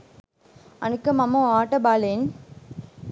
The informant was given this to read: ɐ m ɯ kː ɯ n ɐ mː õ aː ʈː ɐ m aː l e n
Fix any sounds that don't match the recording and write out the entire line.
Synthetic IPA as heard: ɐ n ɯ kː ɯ m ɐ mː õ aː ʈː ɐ b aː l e n